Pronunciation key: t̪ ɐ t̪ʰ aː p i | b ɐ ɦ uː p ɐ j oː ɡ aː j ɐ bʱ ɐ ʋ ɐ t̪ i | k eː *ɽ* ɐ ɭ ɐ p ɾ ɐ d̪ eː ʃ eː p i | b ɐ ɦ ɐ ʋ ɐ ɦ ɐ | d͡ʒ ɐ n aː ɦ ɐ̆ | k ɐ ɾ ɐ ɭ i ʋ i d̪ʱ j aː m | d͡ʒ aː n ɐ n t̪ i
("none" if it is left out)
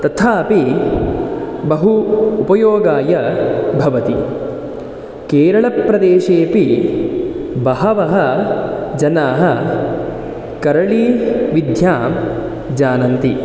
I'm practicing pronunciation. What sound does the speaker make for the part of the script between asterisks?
ɾ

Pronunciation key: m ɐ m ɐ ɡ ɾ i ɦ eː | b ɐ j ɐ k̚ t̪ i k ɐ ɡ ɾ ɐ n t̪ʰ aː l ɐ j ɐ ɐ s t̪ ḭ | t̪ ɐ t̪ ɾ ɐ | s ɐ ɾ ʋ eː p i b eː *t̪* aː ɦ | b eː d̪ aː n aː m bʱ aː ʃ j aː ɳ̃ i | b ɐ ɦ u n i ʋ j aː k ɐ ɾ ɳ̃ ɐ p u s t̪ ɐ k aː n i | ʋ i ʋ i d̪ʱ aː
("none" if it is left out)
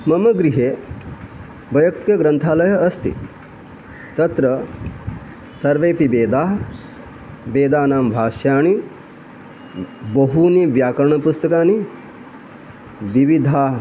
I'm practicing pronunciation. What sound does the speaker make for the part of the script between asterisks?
d̪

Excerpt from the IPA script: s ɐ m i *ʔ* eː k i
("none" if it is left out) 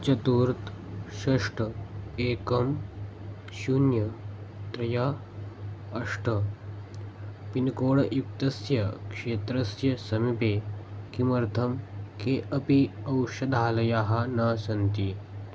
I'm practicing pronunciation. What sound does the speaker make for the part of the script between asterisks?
p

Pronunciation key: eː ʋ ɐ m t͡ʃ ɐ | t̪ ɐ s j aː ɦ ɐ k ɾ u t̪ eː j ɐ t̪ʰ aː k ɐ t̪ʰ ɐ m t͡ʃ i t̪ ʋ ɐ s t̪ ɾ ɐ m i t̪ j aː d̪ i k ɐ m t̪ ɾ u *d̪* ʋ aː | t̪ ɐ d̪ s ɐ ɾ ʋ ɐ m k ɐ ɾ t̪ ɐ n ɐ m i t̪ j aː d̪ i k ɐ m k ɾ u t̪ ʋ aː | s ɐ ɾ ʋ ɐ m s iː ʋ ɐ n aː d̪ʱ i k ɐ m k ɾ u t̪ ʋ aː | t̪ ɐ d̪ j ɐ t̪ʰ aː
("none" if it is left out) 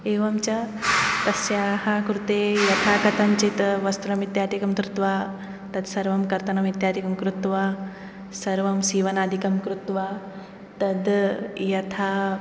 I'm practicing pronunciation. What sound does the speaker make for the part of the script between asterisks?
t̪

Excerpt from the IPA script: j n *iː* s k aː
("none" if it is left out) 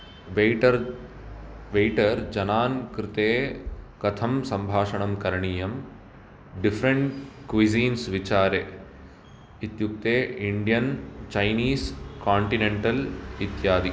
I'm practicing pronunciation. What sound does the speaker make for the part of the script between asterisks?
iː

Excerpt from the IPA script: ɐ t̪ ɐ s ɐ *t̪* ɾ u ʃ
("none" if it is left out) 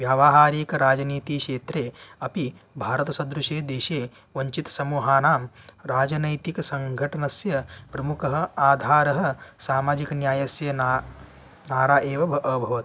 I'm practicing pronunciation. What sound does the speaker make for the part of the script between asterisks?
d̪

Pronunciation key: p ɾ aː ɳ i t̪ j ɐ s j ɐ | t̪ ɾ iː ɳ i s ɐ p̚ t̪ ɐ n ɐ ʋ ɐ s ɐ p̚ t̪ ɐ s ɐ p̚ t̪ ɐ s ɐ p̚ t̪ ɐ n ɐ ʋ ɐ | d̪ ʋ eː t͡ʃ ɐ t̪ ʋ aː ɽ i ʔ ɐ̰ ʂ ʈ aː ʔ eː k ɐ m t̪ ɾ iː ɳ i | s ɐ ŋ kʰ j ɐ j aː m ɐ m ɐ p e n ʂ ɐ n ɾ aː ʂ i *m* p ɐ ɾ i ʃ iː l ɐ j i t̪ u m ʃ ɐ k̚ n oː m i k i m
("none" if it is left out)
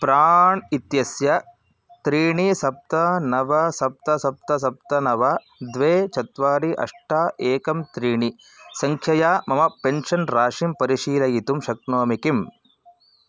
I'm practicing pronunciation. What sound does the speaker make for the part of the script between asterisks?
m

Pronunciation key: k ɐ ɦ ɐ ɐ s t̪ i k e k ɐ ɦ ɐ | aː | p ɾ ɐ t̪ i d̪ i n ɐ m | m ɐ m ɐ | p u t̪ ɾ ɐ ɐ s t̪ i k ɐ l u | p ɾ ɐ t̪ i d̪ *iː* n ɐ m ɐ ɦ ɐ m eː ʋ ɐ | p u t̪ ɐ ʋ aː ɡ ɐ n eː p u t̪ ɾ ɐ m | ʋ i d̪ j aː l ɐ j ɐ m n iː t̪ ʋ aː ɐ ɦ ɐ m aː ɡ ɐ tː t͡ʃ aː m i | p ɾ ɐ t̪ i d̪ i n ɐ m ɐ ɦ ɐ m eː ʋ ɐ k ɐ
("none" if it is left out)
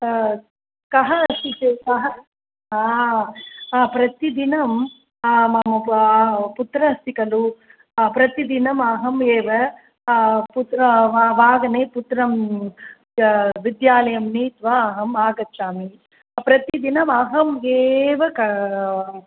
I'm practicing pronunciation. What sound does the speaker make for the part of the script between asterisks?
i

